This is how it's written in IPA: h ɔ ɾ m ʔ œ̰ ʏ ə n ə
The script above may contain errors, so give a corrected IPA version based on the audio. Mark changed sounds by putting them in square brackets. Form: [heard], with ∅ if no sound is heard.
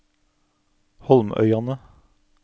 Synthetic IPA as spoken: h ɔ [l] m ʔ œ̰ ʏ [ɑ] n ə